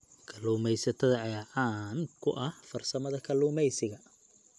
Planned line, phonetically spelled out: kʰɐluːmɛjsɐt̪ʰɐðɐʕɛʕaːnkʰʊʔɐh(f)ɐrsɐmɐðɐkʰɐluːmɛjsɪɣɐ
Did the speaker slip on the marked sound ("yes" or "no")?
no